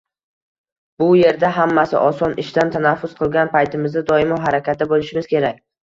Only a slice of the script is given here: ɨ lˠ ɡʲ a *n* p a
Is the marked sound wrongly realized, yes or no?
no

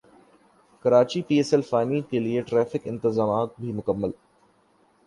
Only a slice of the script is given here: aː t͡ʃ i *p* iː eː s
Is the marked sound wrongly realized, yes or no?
no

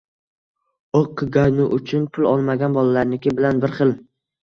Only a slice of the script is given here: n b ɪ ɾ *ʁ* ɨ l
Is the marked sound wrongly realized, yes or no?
yes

